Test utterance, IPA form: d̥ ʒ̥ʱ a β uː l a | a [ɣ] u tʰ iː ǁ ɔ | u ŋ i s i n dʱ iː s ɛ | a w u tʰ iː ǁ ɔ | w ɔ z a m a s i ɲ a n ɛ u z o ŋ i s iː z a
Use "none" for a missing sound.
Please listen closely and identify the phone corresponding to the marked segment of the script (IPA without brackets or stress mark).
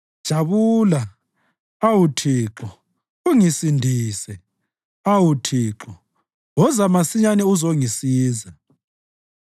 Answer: w